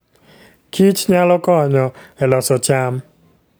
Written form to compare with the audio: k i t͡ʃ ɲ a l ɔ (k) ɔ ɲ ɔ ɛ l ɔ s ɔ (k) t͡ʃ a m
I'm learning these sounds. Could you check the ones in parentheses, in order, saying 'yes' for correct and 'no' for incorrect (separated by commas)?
yes, no